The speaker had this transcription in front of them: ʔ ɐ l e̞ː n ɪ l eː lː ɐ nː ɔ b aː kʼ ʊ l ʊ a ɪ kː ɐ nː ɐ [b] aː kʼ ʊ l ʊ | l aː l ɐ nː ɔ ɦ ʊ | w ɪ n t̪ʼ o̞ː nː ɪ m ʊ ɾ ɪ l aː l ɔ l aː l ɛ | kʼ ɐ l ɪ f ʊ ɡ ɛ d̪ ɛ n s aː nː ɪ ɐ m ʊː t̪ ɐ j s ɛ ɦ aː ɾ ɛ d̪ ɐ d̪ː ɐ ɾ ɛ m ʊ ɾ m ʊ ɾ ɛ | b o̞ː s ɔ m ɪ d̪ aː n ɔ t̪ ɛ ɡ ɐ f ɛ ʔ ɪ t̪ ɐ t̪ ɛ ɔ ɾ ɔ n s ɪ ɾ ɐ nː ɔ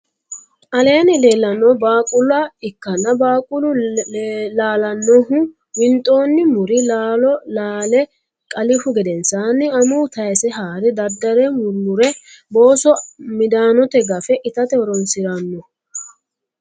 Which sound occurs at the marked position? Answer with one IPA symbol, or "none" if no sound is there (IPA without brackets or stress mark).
b